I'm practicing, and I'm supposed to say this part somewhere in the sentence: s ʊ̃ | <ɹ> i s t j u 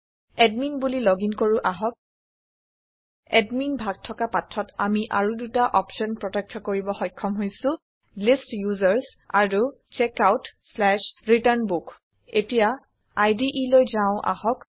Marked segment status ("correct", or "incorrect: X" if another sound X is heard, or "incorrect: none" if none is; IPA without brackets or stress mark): incorrect: l